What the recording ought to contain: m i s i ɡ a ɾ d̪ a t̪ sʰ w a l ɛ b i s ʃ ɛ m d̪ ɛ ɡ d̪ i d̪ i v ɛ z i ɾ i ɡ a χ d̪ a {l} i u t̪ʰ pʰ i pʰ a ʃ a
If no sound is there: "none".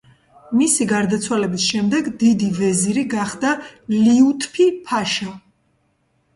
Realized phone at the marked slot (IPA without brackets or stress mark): l